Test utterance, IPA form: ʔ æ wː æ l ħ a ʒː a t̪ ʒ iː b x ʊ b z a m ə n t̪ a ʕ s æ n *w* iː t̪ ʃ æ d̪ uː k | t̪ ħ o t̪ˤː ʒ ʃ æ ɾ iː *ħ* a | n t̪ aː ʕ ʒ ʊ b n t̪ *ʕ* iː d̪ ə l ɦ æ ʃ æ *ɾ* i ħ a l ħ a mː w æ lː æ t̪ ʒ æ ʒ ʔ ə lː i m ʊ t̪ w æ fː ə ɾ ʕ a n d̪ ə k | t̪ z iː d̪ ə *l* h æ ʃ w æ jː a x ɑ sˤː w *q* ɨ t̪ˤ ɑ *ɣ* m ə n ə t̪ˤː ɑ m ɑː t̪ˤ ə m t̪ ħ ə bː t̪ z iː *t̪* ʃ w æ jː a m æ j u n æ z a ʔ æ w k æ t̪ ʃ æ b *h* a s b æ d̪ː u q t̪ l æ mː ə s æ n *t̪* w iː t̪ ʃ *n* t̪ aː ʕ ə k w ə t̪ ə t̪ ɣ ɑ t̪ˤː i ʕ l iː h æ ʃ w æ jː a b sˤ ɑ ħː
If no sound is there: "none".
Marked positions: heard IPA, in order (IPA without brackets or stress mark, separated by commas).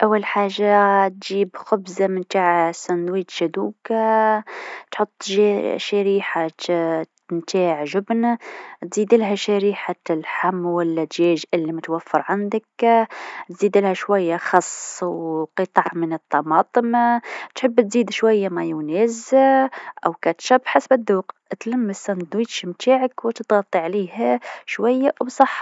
w, ħ, z, ɾ, l, q, ʕ, d̪, ħ, d̪, m